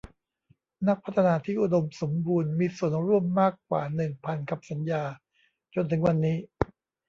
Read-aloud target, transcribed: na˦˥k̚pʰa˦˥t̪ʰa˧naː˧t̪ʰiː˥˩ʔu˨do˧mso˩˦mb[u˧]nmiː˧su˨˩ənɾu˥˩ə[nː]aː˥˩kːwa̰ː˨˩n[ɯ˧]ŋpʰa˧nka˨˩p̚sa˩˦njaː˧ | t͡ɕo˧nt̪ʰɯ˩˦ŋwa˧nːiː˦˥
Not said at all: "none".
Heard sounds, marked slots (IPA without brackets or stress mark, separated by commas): uː˧, mː, ɯ˨˩